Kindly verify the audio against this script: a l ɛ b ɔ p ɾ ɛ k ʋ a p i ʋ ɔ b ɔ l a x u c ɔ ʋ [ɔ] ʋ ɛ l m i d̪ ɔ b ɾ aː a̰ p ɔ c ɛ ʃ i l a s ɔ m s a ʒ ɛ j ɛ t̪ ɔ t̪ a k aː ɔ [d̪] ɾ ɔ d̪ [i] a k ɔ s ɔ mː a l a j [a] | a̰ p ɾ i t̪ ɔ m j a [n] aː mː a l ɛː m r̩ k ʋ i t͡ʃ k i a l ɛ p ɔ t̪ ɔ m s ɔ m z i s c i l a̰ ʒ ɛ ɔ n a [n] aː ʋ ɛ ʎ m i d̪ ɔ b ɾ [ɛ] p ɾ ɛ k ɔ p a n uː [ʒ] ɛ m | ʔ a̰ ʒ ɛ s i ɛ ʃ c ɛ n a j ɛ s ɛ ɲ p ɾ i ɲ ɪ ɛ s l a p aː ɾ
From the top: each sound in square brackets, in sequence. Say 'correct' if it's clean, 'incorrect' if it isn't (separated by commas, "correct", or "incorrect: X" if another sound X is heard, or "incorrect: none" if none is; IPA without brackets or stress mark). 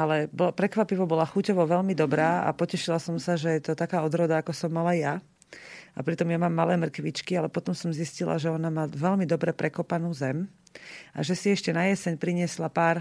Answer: correct, correct, incorrect: a, correct, incorrect: m, incorrect: m, correct, incorrect: z